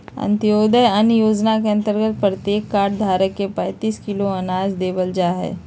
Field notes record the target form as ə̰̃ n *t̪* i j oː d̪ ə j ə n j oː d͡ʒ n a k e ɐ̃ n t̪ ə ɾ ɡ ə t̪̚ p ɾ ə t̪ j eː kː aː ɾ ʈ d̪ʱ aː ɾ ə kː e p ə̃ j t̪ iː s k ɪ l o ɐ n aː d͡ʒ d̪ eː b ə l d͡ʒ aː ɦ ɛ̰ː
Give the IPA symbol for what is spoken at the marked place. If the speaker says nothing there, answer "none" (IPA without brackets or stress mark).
t̪